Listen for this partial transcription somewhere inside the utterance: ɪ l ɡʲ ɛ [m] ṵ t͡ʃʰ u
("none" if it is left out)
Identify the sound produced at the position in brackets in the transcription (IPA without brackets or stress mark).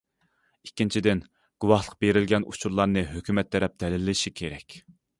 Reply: n